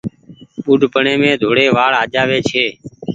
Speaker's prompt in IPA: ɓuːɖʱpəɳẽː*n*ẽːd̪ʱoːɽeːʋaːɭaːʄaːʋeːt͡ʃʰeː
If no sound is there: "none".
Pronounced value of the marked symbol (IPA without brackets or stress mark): m